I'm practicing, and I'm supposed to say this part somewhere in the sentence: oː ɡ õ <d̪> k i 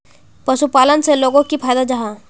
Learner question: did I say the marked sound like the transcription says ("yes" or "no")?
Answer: no